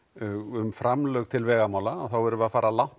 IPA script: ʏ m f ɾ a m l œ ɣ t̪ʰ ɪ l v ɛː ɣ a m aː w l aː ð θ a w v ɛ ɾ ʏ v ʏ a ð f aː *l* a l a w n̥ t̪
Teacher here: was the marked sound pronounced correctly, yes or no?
no